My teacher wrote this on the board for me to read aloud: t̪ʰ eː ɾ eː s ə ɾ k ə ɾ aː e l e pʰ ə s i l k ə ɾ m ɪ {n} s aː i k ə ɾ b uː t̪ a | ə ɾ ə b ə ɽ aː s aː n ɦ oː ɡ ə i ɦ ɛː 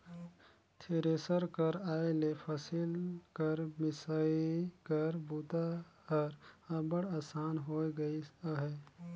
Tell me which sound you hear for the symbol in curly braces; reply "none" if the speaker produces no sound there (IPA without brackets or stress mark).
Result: none